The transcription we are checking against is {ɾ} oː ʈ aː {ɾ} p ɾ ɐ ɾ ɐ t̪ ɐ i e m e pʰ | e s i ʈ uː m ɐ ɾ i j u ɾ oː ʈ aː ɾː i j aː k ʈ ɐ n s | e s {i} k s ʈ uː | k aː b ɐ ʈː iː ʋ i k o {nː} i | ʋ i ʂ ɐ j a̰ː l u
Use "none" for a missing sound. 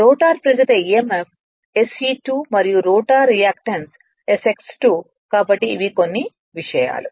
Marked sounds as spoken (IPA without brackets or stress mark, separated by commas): ɾ, ɾ, e, nː